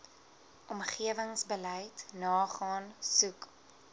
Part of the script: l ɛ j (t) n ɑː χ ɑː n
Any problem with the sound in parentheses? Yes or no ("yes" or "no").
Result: no